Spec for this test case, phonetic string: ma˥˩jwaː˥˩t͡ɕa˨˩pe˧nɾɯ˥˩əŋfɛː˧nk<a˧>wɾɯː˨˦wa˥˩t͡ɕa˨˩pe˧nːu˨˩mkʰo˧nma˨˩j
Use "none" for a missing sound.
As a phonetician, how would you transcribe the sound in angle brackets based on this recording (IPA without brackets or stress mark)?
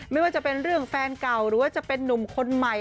a˨˩